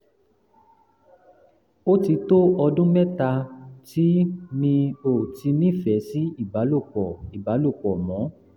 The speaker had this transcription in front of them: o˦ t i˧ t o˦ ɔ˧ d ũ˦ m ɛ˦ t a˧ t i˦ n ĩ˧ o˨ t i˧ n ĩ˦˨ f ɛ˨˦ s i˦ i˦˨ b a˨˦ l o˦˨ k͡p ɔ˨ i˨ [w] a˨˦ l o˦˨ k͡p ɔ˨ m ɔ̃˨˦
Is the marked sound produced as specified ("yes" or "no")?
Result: no